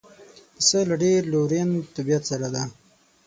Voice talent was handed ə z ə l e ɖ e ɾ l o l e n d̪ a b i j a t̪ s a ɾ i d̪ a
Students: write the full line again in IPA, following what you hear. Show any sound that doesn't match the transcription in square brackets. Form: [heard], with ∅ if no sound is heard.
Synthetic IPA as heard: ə [s] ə l [a] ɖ e ɾ l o [ɾ] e n [t̪] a b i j a t̪ s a ɾ [a] d̪ a